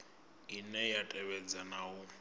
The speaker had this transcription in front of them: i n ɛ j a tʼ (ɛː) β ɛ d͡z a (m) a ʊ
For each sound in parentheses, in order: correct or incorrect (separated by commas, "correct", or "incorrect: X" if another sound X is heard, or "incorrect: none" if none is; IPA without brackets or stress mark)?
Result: incorrect: ɛ, incorrect: n